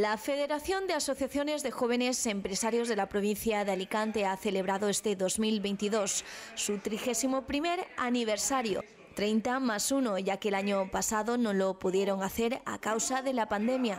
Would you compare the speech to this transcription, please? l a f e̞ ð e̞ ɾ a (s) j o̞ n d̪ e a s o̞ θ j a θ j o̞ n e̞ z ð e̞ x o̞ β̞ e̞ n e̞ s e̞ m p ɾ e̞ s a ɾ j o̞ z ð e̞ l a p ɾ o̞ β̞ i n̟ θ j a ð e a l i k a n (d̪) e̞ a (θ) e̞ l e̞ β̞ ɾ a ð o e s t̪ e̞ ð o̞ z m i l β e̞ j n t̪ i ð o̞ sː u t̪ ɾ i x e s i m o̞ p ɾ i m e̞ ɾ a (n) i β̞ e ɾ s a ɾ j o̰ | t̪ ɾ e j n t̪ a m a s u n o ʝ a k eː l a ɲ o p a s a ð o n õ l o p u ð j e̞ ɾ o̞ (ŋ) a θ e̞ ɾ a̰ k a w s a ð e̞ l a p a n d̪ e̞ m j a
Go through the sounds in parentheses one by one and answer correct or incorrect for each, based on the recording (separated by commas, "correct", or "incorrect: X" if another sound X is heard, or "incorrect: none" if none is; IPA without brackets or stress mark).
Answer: incorrect: θ, incorrect: t̪, correct, correct, correct